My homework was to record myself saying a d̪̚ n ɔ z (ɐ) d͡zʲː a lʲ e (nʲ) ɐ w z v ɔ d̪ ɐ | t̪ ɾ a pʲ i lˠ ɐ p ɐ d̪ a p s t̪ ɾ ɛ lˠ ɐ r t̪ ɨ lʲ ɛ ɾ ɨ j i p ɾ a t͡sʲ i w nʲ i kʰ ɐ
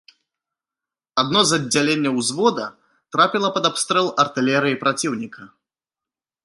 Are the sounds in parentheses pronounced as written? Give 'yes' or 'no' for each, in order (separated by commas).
yes, no